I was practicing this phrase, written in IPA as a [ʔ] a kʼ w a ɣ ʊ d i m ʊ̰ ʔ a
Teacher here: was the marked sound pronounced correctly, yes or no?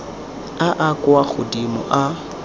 yes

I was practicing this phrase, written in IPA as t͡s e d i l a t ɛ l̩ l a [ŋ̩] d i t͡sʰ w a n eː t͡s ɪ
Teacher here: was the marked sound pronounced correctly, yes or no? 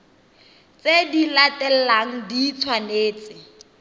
yes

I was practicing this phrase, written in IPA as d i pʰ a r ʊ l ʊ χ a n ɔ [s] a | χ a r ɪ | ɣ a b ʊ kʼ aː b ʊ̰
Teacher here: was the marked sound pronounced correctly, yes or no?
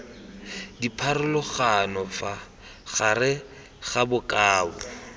no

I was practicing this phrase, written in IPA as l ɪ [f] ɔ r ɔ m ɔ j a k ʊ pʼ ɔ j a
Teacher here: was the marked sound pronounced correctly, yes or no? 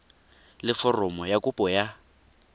yes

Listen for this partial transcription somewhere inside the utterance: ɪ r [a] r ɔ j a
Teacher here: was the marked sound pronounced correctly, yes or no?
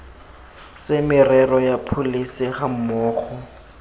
no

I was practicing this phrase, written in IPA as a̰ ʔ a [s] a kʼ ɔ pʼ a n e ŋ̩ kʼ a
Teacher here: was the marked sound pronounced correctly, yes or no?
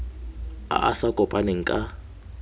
yes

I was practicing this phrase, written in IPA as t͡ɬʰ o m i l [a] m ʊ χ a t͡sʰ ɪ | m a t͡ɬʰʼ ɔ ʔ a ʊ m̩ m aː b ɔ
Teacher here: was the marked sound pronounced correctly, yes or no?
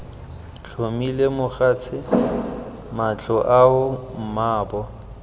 no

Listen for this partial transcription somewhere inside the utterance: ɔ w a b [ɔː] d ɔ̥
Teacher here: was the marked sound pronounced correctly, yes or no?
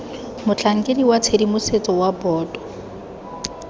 yes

